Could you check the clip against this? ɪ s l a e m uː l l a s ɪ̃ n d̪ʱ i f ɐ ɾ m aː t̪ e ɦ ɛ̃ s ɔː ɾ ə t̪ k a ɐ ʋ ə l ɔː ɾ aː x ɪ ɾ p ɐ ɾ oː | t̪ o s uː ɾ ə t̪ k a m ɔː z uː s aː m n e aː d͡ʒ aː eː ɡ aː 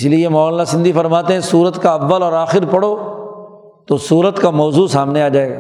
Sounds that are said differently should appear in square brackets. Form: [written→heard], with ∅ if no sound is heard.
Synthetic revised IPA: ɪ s l [a→i] e m [uː→ɔː] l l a s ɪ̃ n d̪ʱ i f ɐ ɾ m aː t̪ e ɦ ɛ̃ s [ɔː→uː] ɾ ə t̪ k a ɐ [ʋ→ʋː] ə l ɔː ɾ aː x ɪ ɾ p ɐ [ɾ→ɽ] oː | t̪ o s uː ɾ ə t̪ k a m ɔː z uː s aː m n e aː d͡ʒ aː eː ɡ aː